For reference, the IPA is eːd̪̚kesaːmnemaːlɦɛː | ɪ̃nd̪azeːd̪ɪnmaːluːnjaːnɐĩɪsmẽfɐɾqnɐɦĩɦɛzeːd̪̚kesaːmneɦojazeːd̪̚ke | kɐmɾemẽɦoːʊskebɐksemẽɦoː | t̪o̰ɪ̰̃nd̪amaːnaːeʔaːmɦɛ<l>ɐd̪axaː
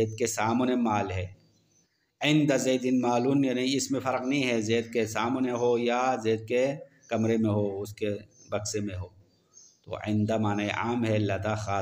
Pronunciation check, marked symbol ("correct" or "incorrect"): correct